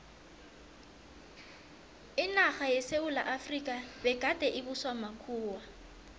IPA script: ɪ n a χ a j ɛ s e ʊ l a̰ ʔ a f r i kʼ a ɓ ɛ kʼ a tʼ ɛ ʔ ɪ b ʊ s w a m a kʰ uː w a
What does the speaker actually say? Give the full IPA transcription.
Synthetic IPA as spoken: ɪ n a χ a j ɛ s e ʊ l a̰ ʔ a f r i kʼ a b ɛ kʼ a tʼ ɛ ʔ ɪ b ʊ s w a m a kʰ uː w a